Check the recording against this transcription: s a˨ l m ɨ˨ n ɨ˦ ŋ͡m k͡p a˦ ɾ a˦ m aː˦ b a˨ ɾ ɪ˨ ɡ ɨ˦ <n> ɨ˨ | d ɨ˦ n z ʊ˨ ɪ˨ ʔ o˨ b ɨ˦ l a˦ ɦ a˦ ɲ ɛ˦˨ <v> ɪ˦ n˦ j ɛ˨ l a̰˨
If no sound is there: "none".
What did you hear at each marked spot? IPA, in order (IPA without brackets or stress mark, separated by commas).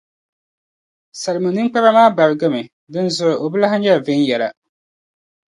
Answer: m, v